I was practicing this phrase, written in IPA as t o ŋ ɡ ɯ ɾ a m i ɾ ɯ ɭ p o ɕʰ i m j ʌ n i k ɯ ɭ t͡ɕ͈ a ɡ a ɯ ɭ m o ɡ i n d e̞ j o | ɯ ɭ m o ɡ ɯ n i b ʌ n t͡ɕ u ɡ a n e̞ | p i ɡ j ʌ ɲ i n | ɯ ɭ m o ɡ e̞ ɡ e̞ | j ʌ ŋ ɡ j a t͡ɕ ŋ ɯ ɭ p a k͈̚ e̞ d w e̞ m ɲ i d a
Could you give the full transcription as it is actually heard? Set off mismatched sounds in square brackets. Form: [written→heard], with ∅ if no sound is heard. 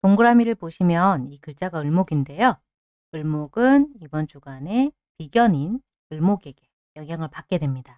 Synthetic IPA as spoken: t o ŋ ɡ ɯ ɾ a m i ɾ ɯ ɭ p o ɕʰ i m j ʌ n i k ɯ ɭ t͡ɕ͈ a ɡ a ɯ ɭ m o ɡ i n d e̞ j o | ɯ ɭ m o ɡ ɯ n i b ʌ n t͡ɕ u ɡ a n e̞ | p i ɡ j ʌ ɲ i n | ɯ ɭ m o ɡ e̞ ɡ e̞ | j ʌ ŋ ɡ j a [t͡ɕ→∅] ŋ ɯ ɭ p a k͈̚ e̞ d w e̞ m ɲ i d a